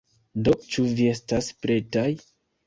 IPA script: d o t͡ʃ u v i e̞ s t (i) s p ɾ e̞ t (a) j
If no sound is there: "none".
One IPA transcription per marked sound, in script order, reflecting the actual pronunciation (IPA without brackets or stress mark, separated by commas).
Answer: a, a